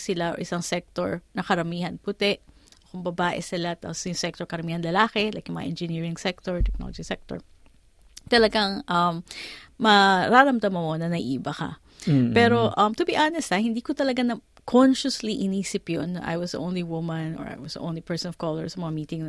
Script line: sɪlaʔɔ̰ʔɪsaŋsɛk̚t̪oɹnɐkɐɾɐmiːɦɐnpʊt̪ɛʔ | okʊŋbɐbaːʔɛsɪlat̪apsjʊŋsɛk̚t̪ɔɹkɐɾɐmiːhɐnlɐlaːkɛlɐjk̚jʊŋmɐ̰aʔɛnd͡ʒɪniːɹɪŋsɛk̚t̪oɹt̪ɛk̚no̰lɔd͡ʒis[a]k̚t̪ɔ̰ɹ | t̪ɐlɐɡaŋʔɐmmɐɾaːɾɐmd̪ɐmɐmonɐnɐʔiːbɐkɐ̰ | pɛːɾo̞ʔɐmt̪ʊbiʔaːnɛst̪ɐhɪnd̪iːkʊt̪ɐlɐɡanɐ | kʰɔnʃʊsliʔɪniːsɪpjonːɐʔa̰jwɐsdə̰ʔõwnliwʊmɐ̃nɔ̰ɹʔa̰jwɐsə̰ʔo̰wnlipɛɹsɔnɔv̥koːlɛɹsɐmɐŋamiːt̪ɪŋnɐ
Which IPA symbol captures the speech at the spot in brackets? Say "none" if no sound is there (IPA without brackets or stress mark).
ɛ